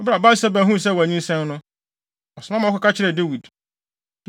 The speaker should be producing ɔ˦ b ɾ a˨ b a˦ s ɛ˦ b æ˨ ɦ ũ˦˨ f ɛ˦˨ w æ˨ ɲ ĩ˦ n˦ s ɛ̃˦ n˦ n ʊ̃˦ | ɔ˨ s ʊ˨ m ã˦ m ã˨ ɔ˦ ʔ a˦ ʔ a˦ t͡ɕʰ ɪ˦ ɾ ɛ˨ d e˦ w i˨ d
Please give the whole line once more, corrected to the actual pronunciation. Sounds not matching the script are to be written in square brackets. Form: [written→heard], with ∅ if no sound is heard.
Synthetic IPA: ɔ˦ b ɾ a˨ b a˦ s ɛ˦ b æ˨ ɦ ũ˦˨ [f→s] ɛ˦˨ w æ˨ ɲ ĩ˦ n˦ s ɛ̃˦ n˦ n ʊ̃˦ | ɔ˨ s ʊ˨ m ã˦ m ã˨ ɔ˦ [ʔ→k] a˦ [ʔ→k] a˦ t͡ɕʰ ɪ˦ ɾ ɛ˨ d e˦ w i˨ d